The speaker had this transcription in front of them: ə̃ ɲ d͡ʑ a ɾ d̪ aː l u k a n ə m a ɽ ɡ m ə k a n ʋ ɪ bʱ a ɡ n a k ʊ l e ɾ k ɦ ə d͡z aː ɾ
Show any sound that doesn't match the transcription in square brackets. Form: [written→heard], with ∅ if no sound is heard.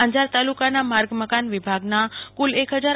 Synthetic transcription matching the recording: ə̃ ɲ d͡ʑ a ɾ [d̪→t̪] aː l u k a n [ə→a] m a [ɽ→ɾ] ɡ m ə k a n ʋ ɪ bʱ a ɡ n a k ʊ l e [ɾ→∅] k ɦ ə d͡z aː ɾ